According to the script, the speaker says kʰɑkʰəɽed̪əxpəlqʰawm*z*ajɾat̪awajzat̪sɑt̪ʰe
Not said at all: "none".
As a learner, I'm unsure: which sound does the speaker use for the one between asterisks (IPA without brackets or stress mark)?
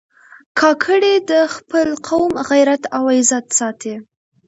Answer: ɣ